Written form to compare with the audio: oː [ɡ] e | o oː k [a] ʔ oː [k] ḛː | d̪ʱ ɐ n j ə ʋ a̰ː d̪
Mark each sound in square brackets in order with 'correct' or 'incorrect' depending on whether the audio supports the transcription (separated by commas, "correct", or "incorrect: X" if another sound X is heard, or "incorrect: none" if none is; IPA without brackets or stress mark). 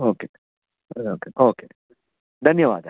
incorrect: k, incorrect: e, correct